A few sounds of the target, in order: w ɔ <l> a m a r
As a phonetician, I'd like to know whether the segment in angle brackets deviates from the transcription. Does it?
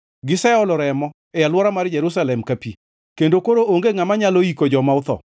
yes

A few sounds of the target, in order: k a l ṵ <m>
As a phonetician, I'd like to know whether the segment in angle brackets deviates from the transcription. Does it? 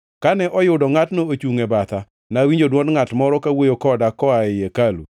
yes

